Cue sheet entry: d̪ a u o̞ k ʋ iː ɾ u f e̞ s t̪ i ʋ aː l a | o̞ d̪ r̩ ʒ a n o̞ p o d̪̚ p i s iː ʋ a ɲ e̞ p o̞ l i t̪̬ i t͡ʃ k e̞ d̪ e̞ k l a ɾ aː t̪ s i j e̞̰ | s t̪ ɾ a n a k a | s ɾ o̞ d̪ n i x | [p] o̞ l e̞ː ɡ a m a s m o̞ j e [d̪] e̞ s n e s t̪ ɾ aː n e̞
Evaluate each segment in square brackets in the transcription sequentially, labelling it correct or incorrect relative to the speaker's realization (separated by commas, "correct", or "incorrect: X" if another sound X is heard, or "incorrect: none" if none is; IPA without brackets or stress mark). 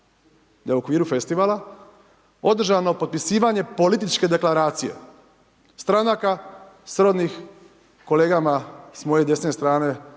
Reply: incorrect: k, correct